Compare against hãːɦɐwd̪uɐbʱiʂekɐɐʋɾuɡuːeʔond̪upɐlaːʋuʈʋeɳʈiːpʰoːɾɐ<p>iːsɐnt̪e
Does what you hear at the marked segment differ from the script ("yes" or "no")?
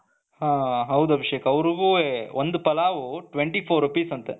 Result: no